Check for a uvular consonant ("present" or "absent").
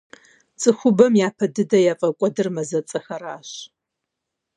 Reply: absent